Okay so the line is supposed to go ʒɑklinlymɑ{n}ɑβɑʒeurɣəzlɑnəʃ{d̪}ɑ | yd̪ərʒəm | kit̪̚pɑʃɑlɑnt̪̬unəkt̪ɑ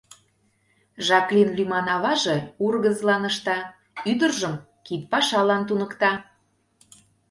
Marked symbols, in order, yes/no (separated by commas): yes, no